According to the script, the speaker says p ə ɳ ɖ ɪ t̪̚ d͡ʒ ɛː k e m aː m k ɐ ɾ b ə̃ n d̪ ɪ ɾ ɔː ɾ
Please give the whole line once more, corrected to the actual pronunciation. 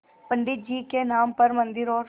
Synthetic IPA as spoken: p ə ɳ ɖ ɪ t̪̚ d͡ʒ iː k e n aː m p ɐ ɾ m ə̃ n d̪ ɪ ɾ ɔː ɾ

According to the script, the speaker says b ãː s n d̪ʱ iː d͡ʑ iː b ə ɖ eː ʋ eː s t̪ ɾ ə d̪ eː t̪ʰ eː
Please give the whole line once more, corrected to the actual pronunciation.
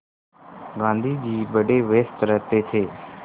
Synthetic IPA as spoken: ɡ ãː n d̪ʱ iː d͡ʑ iː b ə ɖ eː ʋ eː s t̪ ɾ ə t̪ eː t̪ʰ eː

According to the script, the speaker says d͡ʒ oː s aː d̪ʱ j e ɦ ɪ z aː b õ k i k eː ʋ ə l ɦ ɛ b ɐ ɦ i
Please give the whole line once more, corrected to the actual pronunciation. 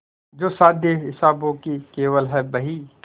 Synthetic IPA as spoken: d͡ʒ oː s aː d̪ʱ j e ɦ ɪ s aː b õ k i k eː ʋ ə l ɦ ɛ b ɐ ɦ i

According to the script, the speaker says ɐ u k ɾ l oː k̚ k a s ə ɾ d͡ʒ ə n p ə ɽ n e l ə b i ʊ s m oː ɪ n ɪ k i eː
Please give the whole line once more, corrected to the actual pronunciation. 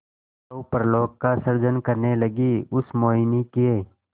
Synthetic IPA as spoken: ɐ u p ɾ l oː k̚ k a s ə ɾ d͡ʒ ə n k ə ɾ n e l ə ɡ i ʊ s m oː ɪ n i k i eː

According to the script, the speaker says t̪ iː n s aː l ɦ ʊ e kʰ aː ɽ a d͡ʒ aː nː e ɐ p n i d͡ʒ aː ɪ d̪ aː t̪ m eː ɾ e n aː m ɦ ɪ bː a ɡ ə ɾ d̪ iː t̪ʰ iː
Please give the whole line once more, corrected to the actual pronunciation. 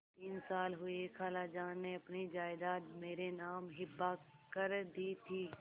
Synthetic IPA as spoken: t̪ iː n s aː l ɦ ʊ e kʰ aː l a d͡ʒ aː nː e ɐ p n i d͡ʒ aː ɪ d̪ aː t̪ m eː ɾ e n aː m ɦ ɪ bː a k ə ɾ d̪ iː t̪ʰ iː

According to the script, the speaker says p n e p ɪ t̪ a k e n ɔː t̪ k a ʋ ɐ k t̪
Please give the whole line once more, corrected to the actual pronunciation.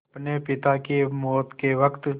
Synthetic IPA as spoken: p n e p ɪ t̪ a k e m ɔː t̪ k e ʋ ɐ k t̪

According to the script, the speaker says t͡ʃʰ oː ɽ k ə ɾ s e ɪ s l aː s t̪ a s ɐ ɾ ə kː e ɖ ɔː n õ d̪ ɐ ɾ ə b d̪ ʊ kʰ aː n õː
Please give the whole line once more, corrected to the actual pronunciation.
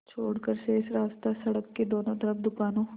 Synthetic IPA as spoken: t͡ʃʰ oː ɽ k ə ɾ s e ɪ s ɾ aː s t̪ a s ɐ ɽ ə kː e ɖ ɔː n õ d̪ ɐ ɾ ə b d̪ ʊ k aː n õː

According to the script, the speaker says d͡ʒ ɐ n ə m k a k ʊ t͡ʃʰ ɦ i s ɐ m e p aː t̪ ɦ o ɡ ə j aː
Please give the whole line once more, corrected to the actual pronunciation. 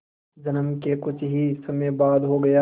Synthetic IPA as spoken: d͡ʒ ɐ n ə m k e k ʊ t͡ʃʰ ɦ i s ɐ m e b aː d̪ ɦ o ɡ ɐ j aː

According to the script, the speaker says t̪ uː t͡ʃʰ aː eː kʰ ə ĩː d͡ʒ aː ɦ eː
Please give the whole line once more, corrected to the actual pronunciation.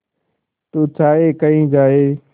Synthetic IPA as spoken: t̪ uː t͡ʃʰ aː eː k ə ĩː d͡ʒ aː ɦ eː

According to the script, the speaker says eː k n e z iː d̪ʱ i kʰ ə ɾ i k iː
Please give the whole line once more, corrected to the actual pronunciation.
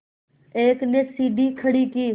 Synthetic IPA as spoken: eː k n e s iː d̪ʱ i kʰ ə ɽ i k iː

